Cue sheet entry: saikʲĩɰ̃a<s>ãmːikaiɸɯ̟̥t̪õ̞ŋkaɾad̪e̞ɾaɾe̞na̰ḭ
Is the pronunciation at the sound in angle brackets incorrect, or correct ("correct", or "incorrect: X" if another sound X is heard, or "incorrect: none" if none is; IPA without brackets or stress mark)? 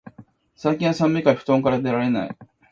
correct